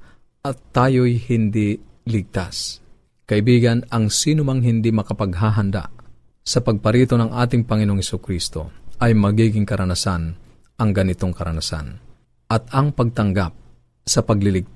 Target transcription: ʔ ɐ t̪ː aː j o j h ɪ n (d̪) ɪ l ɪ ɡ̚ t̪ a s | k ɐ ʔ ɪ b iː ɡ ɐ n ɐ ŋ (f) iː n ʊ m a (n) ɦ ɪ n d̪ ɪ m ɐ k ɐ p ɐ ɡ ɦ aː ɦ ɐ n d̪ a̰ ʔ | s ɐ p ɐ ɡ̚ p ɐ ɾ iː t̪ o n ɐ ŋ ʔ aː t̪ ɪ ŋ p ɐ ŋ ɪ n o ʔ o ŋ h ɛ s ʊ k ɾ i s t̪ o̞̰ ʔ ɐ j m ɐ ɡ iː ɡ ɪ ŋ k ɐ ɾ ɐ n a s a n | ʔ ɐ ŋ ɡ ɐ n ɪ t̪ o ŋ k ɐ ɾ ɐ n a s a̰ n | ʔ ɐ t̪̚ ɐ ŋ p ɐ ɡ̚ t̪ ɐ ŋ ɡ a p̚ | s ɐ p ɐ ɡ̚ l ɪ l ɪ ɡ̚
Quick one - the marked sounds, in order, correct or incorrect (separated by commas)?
correct, incorrect, incorrect